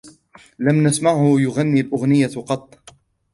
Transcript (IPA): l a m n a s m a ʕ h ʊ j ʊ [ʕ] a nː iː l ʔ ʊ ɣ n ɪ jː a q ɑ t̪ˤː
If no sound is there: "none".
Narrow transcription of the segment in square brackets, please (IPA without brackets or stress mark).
ɣ